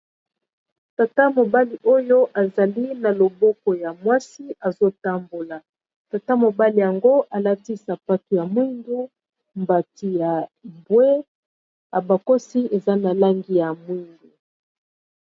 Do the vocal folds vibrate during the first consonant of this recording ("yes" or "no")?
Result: no